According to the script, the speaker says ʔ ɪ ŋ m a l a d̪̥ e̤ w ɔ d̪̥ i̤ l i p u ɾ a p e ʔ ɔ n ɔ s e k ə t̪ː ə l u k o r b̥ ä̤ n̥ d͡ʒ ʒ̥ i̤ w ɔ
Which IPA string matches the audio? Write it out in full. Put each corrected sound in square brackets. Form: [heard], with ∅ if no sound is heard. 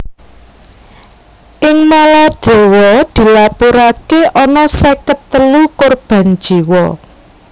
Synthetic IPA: ʔ ɪ ŋ m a l a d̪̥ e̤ w ɔ d̪̥ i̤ l [a] p u ɾ a [k] e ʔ ɔ n ɔ s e k ə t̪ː ə l u k o r b̥ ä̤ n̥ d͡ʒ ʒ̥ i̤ w ɔ